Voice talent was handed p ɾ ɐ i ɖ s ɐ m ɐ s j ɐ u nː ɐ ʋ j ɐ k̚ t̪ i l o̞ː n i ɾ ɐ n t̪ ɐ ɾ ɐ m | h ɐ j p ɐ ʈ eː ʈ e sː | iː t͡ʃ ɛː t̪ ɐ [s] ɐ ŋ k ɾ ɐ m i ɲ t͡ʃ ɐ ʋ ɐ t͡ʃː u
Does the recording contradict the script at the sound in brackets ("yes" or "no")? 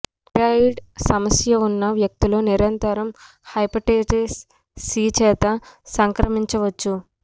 no